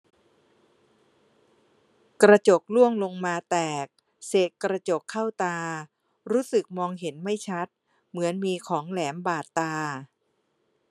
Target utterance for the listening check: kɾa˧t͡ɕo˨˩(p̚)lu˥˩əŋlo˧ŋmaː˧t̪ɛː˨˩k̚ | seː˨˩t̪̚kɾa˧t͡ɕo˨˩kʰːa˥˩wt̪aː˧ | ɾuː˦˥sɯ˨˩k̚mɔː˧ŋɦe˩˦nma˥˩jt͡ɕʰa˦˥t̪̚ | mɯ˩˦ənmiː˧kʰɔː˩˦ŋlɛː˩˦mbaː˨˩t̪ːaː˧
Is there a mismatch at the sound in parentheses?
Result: yes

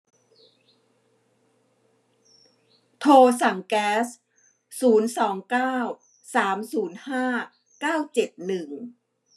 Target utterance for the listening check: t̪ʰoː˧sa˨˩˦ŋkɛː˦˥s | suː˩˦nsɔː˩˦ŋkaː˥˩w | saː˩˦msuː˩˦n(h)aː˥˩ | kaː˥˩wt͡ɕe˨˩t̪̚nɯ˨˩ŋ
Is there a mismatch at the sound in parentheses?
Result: no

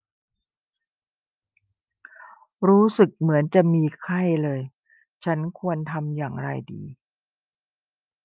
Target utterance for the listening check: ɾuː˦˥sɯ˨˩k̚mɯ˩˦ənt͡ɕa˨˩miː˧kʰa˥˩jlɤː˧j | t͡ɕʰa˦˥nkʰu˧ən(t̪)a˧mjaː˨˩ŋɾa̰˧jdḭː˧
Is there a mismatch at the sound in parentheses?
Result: yes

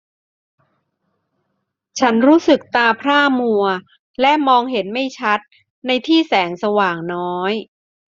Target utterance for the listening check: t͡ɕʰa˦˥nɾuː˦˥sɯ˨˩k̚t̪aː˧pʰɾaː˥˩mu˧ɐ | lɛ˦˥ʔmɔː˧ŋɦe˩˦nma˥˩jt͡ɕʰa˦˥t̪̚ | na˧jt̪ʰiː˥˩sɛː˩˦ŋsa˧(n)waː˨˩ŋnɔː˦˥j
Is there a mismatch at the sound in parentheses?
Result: yes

